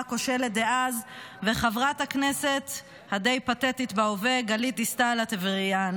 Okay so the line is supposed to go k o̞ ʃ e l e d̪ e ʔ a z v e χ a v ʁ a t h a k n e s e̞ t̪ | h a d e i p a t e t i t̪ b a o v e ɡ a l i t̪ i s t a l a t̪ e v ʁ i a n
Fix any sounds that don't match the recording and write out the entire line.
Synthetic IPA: k o̞ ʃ e l e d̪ e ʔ a z v e χ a v ʁ a t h a k n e s e̞ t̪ | h a d e j p a t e t i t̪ b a o v e ɡ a l i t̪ i s t a l a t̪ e v ʁ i a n